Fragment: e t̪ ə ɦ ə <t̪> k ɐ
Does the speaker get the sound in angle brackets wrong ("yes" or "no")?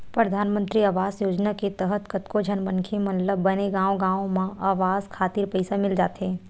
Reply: no